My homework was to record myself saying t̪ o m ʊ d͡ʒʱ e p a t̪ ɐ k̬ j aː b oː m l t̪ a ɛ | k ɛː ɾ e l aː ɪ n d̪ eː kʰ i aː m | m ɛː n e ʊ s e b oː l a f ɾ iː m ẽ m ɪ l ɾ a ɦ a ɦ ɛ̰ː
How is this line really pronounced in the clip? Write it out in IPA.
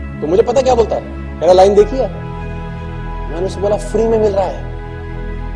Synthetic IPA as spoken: t̪ o m ʊ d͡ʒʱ e p ɐ t̪ a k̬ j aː b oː l t̪ a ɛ | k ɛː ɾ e l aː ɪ n d̪ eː kʰ i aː | m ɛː n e ʊ s e b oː l a f ɾ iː m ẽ m ɪ l ɾ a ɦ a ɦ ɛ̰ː